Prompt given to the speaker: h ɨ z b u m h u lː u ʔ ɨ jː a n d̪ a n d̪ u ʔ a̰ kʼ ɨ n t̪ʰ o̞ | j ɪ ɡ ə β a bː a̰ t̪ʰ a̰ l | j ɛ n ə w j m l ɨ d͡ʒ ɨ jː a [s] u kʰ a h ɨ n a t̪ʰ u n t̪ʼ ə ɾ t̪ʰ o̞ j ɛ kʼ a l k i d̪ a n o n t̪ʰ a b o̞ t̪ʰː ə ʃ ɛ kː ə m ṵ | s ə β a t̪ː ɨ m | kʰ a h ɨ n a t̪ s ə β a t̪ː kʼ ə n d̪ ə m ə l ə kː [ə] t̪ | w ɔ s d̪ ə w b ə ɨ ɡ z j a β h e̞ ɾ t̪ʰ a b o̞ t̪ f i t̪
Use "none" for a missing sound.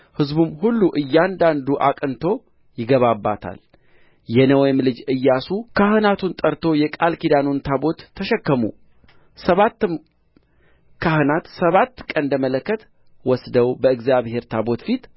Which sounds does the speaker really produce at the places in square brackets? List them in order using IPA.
s, ə

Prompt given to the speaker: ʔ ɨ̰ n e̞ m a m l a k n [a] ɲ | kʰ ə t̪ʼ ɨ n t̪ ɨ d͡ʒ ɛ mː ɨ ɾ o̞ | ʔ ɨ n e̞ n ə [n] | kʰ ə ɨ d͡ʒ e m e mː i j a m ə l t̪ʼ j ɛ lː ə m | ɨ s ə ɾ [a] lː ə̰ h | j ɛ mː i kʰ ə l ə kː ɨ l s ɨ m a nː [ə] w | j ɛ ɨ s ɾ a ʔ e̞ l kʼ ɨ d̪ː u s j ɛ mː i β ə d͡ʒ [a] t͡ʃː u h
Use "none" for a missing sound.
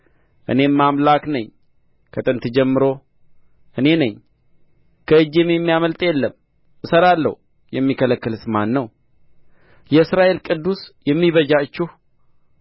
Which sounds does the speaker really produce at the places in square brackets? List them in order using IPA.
ə, ɲ, a, ə, a

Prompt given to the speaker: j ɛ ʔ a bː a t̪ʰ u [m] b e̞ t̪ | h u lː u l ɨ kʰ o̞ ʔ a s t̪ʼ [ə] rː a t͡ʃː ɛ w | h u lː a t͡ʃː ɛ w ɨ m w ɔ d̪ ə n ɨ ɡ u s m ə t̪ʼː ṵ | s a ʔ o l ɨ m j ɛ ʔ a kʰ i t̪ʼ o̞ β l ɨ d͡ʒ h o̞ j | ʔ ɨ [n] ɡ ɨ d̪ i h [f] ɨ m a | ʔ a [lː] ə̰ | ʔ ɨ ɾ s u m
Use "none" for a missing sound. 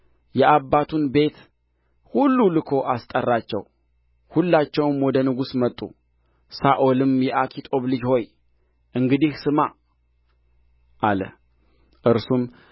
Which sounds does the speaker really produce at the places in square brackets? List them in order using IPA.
n, ə, ŋ, s, l

